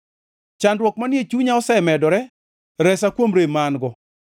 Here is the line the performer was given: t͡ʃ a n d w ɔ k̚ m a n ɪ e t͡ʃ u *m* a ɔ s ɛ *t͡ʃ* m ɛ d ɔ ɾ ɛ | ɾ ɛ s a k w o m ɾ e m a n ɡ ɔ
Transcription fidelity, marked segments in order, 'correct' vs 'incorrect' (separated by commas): incorrect, incorrect